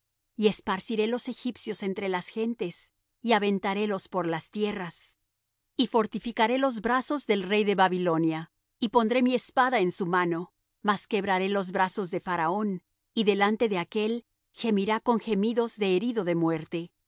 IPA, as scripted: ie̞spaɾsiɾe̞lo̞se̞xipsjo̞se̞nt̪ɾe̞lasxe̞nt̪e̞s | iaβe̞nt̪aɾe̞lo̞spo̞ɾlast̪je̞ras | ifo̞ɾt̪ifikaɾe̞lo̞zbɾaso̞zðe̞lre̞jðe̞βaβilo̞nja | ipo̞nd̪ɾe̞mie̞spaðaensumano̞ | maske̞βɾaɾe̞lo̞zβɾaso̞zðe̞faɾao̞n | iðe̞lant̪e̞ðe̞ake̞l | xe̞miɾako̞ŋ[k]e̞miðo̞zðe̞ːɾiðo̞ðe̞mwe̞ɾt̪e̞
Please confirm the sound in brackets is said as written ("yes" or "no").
no